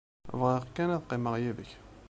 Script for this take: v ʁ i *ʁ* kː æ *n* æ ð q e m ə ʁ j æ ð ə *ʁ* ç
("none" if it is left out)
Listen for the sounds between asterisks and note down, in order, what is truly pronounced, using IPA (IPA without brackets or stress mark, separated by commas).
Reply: ʁ, n, none